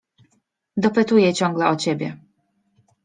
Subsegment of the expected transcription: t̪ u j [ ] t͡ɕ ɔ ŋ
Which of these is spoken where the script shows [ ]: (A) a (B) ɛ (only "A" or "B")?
B